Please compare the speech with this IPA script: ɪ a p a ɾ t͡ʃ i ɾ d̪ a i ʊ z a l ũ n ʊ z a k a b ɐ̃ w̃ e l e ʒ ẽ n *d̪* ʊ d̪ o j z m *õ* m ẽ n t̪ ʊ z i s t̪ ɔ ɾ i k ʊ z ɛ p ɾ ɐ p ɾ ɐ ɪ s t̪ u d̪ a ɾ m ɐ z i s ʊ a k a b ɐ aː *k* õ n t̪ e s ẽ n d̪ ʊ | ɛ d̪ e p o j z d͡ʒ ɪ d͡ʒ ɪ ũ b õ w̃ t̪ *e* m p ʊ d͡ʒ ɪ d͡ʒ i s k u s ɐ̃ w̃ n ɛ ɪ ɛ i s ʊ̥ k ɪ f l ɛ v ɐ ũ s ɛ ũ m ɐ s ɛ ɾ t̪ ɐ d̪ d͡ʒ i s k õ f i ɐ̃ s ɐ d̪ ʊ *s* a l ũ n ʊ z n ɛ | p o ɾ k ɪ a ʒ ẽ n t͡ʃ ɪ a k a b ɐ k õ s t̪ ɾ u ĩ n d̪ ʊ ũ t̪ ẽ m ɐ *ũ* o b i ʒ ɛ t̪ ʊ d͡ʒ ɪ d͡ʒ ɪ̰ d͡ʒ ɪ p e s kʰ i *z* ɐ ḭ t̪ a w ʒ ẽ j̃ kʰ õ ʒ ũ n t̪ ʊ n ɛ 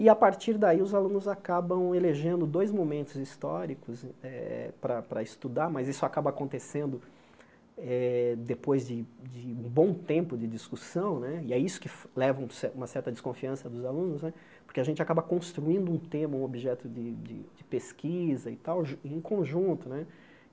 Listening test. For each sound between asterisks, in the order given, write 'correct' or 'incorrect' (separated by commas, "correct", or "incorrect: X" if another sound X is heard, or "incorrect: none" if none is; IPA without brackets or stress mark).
correct, incorrect: o, correct, incorrect: ẽ, incorrect: z, correct, correct